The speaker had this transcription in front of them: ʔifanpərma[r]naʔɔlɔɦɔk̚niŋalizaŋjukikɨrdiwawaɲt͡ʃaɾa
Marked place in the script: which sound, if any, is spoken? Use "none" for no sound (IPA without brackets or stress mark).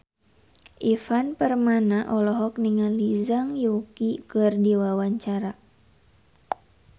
none